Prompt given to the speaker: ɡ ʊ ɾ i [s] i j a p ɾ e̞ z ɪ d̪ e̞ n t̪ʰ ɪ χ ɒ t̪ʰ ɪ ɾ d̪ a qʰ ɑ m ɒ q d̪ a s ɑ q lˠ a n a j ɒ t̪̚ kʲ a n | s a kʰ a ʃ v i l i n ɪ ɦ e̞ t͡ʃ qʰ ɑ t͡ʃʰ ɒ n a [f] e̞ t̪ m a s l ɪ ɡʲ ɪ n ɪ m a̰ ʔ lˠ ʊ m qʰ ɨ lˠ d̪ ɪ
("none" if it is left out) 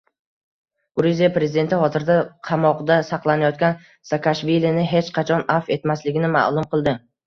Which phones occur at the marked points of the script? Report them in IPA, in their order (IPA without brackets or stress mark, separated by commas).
z, f